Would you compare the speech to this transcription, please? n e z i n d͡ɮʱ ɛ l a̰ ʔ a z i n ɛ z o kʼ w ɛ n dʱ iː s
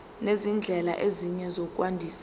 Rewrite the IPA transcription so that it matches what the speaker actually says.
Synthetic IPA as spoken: n e z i n d͡ɮʱ ɛ l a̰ ʔ e z i ɲ ɛ z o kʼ w a n dʱ iː s